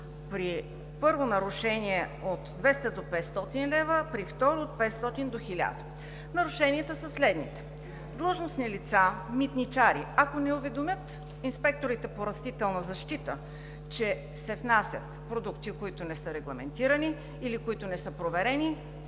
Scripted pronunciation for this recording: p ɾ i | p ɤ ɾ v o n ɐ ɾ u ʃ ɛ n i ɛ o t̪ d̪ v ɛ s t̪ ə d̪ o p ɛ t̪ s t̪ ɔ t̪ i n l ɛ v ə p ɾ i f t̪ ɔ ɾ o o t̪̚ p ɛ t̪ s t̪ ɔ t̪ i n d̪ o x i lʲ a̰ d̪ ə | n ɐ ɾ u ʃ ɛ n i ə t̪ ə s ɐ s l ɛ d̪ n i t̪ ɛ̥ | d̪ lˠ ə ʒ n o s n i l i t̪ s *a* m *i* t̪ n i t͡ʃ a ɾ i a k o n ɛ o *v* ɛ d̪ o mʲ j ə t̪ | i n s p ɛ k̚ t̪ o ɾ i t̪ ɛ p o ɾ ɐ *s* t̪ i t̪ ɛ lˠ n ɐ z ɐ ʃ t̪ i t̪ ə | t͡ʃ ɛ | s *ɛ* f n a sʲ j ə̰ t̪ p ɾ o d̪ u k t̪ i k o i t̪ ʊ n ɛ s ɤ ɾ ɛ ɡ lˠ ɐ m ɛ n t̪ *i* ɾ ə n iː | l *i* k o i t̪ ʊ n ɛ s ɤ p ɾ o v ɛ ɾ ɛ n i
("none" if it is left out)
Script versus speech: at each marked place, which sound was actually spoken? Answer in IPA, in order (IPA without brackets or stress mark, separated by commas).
a, i, v, s, ɛ, i, i